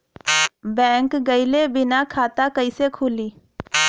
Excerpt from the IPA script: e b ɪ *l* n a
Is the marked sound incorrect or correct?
incorrect